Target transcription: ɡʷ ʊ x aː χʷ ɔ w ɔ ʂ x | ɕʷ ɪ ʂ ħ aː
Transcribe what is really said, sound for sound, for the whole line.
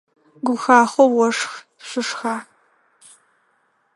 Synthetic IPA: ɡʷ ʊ x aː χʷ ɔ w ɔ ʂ x | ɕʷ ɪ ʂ x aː